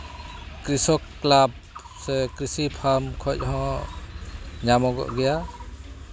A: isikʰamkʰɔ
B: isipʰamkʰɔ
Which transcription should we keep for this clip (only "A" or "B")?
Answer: B